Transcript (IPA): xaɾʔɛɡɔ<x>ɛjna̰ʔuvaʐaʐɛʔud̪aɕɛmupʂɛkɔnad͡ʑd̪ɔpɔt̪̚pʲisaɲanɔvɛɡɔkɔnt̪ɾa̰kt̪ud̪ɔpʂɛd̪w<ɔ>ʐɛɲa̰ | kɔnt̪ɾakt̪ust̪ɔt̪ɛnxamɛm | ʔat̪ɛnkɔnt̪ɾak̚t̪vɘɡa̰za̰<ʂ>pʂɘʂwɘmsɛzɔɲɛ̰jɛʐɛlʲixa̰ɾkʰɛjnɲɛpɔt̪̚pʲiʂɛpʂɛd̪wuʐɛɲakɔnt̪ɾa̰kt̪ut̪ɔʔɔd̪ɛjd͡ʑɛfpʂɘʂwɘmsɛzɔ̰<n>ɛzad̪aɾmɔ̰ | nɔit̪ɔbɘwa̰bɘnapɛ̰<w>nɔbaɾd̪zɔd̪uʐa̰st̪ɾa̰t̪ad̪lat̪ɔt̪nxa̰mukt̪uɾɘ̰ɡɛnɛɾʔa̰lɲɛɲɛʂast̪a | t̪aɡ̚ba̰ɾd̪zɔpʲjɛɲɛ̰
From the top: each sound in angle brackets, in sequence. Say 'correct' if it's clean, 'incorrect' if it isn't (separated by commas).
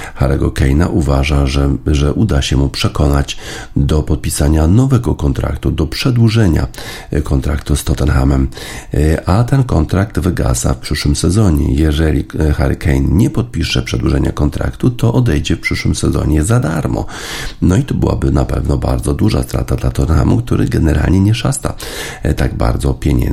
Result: incorrect, incorrect, incorrect, incorrect, incorrect